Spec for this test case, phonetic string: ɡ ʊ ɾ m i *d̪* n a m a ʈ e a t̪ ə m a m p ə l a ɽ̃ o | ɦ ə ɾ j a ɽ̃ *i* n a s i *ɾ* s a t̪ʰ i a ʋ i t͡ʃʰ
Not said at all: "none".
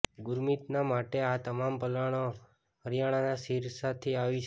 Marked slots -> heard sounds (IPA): t̪, a, ɾ

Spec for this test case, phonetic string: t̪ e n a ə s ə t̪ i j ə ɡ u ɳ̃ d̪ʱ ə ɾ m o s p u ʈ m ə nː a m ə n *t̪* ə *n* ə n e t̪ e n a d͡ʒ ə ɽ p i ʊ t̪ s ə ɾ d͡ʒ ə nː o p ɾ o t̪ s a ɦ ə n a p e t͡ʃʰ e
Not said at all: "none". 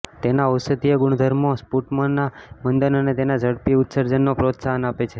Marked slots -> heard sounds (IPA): d̪, n

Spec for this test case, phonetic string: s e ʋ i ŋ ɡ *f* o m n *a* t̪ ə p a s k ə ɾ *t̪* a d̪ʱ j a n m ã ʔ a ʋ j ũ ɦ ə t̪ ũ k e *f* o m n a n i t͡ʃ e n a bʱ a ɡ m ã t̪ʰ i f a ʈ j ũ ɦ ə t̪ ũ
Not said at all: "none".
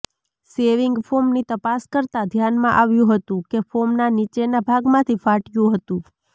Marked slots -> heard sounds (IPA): f, i, t̪, f

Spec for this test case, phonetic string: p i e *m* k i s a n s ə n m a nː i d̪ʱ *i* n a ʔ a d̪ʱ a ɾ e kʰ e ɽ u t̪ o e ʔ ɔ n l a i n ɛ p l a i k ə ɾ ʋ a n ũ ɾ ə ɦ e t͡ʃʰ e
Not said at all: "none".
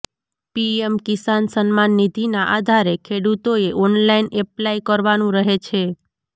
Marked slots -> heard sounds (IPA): m, i

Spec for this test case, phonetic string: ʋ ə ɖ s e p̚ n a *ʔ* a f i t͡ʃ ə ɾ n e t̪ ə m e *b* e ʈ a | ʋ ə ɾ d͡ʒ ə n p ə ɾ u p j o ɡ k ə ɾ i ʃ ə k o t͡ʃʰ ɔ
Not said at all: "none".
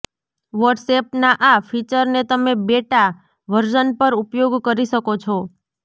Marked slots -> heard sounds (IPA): ʔ, b

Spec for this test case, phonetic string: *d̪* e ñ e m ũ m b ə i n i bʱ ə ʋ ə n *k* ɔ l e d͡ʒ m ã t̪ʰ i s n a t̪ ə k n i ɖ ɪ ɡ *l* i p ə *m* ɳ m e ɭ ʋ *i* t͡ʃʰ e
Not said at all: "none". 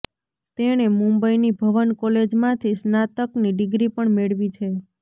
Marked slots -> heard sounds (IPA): t̪, k, ɾ, none, i

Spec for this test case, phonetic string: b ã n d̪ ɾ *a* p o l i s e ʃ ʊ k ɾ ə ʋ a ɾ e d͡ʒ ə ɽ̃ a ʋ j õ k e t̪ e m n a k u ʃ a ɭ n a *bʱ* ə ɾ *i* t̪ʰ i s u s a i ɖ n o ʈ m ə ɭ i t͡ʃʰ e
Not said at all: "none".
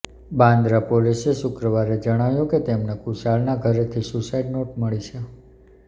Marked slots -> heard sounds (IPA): a, ɡʱ, e

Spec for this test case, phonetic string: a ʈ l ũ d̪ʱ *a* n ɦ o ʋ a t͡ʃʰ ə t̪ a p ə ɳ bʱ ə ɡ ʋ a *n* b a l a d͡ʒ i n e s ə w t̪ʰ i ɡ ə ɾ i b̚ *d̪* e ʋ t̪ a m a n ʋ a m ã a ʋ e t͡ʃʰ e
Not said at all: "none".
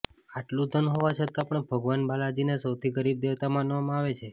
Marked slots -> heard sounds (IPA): ə, n, d̪

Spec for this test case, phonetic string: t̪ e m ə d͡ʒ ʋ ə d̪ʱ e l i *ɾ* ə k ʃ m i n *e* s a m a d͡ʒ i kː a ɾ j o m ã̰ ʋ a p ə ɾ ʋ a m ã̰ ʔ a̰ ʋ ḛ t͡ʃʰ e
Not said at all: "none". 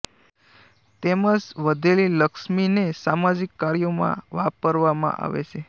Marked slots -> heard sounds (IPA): l, e

